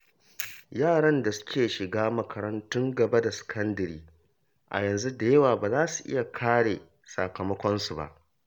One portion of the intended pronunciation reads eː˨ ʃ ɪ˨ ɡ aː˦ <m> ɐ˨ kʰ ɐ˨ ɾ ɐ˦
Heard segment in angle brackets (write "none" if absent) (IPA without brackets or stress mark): m